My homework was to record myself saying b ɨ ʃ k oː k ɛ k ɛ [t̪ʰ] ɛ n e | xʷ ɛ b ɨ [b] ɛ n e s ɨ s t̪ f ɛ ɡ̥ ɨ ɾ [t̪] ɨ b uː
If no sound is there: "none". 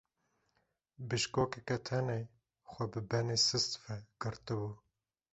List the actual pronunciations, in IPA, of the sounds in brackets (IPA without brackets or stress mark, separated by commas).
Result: t̪ʰ, b, t̪